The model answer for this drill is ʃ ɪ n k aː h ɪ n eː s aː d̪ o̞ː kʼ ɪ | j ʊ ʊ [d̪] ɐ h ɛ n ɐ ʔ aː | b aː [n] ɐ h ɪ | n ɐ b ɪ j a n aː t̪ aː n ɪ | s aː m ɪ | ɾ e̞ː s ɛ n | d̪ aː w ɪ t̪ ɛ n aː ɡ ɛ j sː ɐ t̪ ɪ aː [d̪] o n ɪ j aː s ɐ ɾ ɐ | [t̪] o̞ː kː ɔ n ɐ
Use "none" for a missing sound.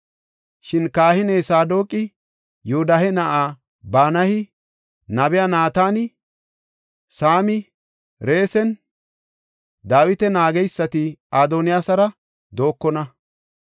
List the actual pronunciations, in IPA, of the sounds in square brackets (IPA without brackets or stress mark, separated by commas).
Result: d̪, n, d̪, d̪